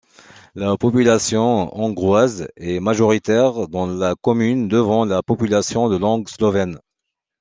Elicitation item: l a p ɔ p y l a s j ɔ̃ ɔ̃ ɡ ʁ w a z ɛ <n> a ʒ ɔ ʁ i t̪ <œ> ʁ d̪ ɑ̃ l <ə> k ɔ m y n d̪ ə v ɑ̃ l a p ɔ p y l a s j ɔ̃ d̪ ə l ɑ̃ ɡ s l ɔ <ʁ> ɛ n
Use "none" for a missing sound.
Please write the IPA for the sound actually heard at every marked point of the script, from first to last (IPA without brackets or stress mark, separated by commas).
m, ɛ, a, v